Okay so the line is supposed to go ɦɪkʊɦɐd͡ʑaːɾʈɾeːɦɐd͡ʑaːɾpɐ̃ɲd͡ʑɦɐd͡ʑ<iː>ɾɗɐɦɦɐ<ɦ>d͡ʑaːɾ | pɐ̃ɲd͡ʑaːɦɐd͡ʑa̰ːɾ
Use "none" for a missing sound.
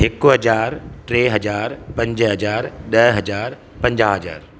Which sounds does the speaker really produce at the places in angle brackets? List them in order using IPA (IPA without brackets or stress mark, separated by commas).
aː, none